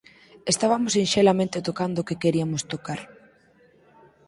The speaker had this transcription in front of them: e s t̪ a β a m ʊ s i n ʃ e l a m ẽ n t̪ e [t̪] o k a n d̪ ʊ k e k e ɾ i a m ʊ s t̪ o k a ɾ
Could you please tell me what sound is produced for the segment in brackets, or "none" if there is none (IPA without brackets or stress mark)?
t̪